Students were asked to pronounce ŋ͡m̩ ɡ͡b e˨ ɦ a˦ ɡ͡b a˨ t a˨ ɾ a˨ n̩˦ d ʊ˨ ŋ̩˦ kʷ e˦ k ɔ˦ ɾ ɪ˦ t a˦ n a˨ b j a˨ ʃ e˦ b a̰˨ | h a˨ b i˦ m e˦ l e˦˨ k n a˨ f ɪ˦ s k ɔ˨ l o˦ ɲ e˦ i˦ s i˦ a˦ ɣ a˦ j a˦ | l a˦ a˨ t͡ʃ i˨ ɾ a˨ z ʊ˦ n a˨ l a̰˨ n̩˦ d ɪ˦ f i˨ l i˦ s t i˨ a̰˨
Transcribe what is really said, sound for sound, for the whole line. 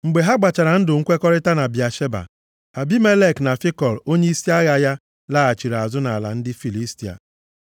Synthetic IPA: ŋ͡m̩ ɡ͡b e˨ ɦ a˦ ɡ͡b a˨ t͡ʃ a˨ ɾ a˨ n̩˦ d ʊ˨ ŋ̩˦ kʷ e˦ k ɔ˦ ɾ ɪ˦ t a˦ n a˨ b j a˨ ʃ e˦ b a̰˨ | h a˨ b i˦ m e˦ l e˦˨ k n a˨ f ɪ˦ k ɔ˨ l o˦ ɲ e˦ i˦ s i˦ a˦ ɣ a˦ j a˦ | l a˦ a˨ t͡ʃ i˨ ɾ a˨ z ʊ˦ n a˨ l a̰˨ n̩˦ d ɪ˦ f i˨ l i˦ s t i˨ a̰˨